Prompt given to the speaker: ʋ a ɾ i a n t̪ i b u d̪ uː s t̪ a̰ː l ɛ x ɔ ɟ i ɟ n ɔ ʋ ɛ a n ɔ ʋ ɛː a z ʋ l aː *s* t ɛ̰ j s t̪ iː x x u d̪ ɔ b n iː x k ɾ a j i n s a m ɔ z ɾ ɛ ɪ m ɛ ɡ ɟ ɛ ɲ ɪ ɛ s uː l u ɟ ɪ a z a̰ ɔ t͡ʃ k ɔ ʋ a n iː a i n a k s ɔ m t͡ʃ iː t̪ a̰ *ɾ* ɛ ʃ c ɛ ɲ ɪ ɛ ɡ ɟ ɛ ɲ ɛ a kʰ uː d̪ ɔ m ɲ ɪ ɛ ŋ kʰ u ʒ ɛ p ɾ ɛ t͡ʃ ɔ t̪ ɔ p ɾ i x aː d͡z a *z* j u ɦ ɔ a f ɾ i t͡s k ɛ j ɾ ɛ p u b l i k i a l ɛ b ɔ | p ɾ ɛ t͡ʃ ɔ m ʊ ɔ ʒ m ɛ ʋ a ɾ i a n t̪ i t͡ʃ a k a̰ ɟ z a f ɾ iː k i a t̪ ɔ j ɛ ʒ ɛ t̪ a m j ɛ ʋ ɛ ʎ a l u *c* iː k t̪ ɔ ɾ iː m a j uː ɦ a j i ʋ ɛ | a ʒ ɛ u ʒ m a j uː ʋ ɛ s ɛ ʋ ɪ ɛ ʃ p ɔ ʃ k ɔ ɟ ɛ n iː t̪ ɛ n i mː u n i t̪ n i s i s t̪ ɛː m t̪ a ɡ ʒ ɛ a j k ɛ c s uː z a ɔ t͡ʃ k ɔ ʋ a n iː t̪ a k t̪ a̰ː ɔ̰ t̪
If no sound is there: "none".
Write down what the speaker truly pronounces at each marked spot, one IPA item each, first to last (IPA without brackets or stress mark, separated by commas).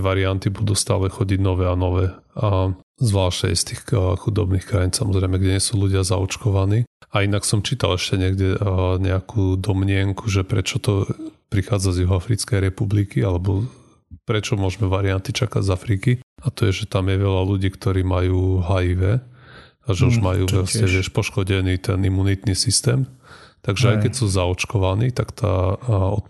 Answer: ʃ, l, z, ɟ